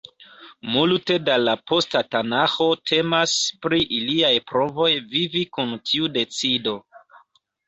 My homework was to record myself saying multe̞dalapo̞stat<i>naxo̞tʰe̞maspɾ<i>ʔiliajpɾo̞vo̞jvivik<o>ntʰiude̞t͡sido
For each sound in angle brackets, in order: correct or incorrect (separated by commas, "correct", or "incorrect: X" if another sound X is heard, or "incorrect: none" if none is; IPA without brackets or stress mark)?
incorrect: a, correct, incorrect: u